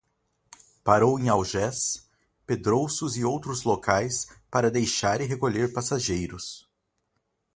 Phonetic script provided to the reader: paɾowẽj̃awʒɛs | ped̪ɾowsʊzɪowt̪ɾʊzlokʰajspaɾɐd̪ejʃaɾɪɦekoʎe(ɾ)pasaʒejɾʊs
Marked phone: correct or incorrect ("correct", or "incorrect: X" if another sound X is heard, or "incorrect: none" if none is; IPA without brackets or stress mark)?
correct